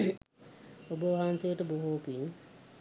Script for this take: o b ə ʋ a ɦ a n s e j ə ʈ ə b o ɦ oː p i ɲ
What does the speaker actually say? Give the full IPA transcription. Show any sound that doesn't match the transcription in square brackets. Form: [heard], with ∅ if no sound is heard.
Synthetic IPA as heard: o b ə ʋ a ɦ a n s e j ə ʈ ə b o ɦ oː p i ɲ

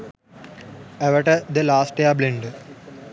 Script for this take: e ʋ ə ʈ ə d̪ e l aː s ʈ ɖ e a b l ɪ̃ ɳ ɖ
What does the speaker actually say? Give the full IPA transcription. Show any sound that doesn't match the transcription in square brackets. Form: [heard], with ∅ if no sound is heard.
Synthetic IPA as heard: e ʋ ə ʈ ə d̪ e l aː s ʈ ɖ e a b l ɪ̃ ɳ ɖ

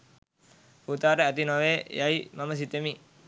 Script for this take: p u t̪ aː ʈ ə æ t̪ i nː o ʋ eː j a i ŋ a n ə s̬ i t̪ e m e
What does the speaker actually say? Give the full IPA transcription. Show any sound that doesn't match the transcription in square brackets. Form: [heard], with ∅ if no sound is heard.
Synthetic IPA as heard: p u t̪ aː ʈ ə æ t̪ i [n] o ʋ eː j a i [m] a [m] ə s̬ i t̪ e m [i]

